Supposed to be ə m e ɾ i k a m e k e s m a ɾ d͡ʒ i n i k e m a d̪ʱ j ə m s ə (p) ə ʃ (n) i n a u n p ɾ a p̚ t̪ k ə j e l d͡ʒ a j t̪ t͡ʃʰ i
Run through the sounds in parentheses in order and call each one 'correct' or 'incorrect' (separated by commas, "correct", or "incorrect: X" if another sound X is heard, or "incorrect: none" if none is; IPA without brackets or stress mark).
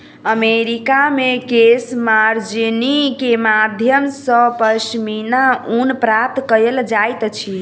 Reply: correct, incorrect: m